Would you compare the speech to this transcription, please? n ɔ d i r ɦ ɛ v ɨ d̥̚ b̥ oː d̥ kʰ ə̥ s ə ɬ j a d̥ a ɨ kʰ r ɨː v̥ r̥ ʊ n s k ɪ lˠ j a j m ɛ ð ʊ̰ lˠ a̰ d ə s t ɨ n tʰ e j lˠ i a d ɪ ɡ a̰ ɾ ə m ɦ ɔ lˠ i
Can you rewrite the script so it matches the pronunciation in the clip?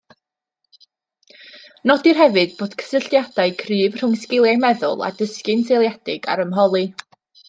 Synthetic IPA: n ɔ d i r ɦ ɛ v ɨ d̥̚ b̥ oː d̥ kʰ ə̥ s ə ɬ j a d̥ a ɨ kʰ r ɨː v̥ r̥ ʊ ŋ s k ɪ lˠ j a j m ɛ ð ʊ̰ lˠ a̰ d ə s k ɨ n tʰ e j lˠ j a d ɪ ɡ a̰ ɾ ə m ɦ ɔ lˠ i